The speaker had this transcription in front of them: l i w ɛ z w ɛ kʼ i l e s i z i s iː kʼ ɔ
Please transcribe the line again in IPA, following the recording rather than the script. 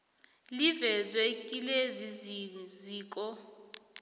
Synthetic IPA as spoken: l i v ɛ z w ɛ kʼ i l e z i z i z iː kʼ ɔ

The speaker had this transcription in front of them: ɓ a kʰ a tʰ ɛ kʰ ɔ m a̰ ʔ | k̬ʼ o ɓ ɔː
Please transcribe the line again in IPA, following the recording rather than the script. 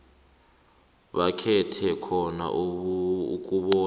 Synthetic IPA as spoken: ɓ a kʰ ɛ tʰ ɛ kʰ ɔ n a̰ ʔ | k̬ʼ u ɓ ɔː

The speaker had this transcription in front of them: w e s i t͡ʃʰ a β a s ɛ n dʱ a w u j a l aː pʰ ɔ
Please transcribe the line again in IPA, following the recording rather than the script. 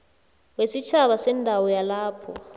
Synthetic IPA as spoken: w e s i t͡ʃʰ a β a s ɛ n dʱ a w ɔ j a l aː pʰ ɔ

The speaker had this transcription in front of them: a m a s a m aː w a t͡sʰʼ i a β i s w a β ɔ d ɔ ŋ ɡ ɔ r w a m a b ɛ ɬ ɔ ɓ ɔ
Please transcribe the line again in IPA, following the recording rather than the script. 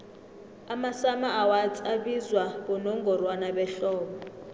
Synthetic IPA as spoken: a m a s a m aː w a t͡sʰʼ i a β i z w a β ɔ n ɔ ŋ ɡ ɔ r w a n a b ɛ ɬ ɔː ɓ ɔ

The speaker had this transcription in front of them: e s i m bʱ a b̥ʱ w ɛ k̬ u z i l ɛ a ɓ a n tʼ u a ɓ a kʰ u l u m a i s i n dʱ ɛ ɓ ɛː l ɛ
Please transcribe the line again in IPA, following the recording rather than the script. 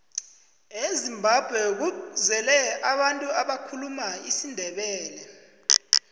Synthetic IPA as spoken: e z i m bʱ a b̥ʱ w ɛ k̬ u z ɛ l ɛ a ɓ a n tʼ u a ɓ a kʰ u l u m a i s i n dʱ ɛ ɓ ɛː l ɛ

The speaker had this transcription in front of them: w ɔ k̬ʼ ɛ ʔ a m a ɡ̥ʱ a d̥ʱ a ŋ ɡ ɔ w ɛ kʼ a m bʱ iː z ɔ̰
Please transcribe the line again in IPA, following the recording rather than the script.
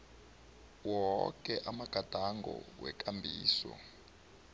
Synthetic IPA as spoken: w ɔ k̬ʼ ɛ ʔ a m a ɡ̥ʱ a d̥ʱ a ŋ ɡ ɔ w ɛ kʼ a m bʱ iː s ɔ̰

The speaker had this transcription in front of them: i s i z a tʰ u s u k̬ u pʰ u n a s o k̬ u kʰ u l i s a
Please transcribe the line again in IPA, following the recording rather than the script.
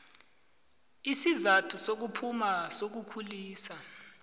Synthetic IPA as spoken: i s i z a tʰ u s o k̬ u pʰ u m a s o k̬ u kʰ u l iː s a

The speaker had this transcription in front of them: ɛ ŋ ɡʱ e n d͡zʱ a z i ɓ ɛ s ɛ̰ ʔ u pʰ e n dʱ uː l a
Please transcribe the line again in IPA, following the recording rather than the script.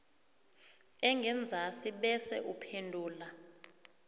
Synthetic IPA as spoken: ɛ ŋ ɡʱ ɛ n d͡zʱ a s i ɓ ɛ s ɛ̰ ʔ u pʰ e n dʱ uː l a

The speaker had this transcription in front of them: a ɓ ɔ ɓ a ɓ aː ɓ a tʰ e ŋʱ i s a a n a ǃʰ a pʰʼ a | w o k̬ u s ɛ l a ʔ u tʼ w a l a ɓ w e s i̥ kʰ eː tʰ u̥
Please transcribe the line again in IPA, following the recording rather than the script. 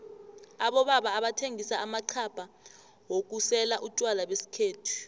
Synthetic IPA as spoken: a ɓ ɔ ɓ a ɓ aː ɓ a tʰ e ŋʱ i s a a m a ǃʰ a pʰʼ a | w o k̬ u s ɛ l a ʔ u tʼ w a l a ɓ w e s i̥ kʰ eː tʰ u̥

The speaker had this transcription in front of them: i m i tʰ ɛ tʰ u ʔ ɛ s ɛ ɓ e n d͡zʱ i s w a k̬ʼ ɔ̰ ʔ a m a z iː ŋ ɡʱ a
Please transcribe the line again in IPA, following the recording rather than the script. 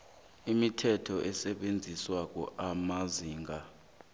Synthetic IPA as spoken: i m i tʰ ɛ tʰ ɔ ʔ ɛ s ɛ ɓ e n d͡zʱ i s w a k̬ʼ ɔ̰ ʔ a m a z iː ŋ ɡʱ a

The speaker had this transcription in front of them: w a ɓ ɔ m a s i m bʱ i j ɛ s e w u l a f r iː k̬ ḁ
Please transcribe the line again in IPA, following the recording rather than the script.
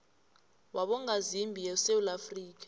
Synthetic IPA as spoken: w a ɓ ɔ ŋ a z i m bʱ i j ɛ s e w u l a f r iː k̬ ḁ

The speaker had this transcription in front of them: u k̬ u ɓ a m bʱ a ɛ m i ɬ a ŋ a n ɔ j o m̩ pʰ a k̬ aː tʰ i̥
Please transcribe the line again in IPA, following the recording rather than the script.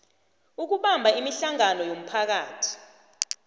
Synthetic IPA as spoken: u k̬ u ɓ a m bʱ a i m i ɬ a ŋ a n ɔ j o m̩ pʰ a k̬ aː tʰ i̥

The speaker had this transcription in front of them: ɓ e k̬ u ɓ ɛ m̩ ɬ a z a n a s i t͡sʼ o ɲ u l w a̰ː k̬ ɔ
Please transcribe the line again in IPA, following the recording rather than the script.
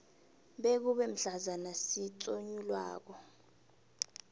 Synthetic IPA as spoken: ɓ e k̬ u ɓ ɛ m̩ ɬ a z a n a s i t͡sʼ o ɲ u l w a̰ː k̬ ɔ

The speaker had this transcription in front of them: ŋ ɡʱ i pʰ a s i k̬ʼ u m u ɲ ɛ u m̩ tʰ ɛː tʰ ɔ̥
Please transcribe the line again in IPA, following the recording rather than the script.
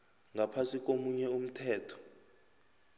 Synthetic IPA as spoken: ŋ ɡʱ a pʰ a s i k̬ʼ o m u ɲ ɛ u m̩ tʰ ɛː tʰ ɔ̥

